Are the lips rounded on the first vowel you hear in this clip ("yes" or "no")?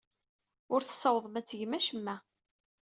yes